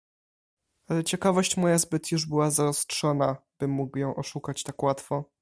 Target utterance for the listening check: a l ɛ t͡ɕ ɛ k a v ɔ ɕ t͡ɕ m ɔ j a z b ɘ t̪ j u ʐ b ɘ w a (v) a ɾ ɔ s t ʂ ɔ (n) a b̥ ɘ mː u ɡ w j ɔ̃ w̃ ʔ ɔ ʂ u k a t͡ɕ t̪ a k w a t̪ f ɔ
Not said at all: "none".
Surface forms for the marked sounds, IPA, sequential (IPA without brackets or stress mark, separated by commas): z, n